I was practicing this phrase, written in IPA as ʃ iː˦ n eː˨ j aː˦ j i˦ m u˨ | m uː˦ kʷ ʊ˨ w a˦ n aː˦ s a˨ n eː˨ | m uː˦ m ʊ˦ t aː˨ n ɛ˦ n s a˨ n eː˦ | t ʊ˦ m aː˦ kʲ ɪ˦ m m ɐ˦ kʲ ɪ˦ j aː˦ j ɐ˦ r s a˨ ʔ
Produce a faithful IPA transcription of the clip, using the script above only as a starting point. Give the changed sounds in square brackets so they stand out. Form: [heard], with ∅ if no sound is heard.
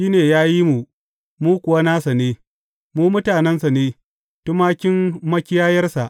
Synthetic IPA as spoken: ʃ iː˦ n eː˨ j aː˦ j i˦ m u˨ | m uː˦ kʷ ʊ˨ w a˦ n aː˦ s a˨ n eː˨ | m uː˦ m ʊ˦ t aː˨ n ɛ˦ n s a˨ n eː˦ | t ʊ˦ m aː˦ kʲ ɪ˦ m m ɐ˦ kʲ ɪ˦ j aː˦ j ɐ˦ r s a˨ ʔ